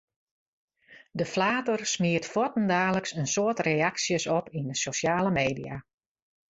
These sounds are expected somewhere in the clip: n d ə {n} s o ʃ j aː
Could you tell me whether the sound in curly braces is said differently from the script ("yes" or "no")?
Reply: yes